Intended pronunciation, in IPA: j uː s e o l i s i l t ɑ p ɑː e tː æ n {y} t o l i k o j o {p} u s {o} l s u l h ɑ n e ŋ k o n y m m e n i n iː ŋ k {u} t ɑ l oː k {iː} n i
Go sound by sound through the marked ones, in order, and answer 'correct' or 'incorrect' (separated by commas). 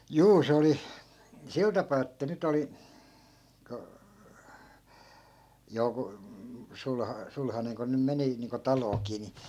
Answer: correct, incorrect, incorrect, incorrect, correct